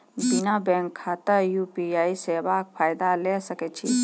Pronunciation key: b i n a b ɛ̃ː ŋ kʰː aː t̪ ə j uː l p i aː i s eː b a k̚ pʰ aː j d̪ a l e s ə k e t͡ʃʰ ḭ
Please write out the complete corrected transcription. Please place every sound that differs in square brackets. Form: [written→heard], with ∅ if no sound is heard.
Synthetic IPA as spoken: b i n a b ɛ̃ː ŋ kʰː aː t̪ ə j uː [l→∅] p i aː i s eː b a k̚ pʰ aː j d̪ a l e s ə k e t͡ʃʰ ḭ